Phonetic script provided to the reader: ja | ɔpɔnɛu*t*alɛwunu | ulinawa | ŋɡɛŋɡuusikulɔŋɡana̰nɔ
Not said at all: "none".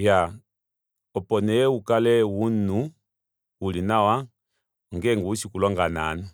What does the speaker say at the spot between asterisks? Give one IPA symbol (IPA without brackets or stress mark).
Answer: k